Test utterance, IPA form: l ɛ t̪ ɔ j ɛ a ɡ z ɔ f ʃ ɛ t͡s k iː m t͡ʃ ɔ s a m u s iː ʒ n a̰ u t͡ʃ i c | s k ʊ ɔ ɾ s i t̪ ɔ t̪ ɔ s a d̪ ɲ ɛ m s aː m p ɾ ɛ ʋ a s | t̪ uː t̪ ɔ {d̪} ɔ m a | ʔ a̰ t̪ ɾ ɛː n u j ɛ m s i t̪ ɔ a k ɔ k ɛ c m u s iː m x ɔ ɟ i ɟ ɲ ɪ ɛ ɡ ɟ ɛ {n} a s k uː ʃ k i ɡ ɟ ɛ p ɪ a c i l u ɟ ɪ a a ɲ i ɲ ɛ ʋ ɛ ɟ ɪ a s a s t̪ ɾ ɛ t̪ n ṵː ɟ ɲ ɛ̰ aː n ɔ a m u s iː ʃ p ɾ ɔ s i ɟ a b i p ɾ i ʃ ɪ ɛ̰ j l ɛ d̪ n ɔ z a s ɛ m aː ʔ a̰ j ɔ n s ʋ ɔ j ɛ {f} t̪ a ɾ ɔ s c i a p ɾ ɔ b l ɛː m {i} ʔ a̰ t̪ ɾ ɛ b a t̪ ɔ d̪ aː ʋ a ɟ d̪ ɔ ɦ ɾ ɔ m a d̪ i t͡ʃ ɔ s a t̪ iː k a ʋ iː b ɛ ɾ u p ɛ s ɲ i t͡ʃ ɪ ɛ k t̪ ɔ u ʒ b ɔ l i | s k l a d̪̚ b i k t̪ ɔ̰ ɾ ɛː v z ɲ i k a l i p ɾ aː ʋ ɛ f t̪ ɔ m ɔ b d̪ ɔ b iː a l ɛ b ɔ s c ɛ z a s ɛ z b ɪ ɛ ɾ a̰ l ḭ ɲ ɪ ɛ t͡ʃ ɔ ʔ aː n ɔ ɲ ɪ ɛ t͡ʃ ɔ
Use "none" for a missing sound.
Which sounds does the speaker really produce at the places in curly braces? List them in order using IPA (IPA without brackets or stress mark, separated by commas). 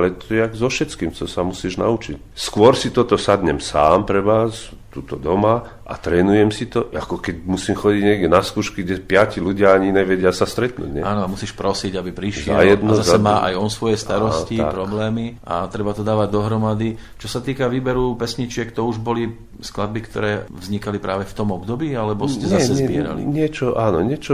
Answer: d̪, n, s, i